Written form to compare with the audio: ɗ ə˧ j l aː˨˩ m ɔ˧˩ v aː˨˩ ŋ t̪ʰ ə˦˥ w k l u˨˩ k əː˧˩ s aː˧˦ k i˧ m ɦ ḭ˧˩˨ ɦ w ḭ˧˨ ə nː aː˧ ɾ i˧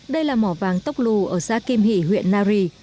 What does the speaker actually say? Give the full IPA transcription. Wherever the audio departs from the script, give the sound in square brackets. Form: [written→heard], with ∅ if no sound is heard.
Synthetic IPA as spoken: ɗ ə˧ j l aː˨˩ m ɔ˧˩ v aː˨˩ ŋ [t̪ʰ→t̪] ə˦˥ w [k→k͡p̚] l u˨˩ [k→ʔ] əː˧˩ s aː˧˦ k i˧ m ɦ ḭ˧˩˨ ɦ w ḭ˧˨ ə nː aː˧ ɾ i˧